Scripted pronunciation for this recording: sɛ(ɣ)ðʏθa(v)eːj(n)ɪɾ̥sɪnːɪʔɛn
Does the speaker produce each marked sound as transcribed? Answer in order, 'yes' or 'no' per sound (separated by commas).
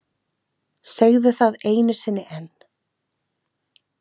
yes, no, yes